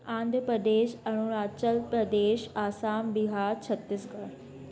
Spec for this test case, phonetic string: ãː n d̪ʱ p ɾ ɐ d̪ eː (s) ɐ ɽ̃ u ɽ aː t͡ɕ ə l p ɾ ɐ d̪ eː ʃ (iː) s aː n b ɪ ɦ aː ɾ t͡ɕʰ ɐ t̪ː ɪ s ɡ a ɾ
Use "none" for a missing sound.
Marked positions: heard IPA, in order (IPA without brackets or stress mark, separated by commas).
ʃ, aː